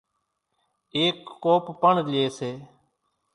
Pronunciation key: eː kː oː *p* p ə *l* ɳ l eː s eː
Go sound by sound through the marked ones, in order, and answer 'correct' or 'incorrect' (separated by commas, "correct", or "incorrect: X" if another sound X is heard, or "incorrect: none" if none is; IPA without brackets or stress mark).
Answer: correct, incorrect: none